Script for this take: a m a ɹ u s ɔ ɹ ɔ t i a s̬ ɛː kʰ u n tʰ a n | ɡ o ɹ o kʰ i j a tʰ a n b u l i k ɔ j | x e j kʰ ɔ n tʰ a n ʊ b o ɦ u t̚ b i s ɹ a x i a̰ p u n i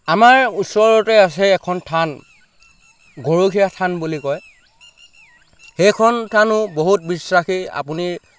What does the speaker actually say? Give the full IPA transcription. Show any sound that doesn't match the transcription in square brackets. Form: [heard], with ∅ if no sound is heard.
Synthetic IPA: a m a ɹ u s ɔ ɹ ɔ t [ɛ] a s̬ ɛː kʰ [ɔ] n tʰ a n | ɡ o ɹ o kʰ i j a tʰ a n b u l i k ɔ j | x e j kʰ ɔ n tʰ a n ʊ b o ɦ u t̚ b i s ɹ a x i a̰ p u n i